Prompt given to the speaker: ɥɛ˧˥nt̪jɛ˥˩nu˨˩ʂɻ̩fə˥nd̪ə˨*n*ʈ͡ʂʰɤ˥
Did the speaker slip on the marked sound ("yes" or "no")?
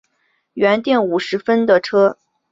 yes